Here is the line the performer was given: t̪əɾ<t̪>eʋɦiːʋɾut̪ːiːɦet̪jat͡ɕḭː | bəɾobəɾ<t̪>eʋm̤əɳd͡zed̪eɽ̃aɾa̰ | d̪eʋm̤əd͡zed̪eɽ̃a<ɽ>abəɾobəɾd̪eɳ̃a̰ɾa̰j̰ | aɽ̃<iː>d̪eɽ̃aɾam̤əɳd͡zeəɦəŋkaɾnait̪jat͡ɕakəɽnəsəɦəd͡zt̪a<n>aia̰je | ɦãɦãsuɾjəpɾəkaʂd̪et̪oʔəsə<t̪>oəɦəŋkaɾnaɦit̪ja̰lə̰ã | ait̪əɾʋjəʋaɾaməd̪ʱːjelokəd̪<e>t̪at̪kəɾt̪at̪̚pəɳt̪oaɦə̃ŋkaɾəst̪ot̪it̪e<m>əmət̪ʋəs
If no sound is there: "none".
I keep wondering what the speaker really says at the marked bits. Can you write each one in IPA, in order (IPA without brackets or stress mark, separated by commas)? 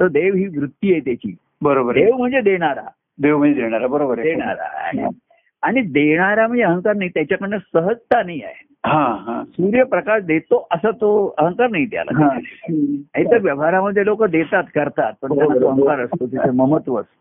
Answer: d̪, d̪, ɾ, i, n, t̪, e, m